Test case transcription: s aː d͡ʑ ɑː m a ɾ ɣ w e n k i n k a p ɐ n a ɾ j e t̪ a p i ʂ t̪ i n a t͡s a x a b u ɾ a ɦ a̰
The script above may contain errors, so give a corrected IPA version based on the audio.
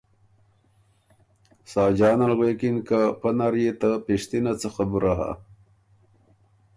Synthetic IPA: s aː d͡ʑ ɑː n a l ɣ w e k i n k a p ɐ n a ɾ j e t̪ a p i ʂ t̪ i n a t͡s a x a b u ɾ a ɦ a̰